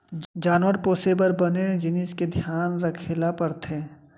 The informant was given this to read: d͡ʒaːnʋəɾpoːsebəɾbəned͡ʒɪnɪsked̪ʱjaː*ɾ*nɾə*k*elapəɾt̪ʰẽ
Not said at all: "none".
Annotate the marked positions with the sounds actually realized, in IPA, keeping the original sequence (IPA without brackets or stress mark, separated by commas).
none, kʰ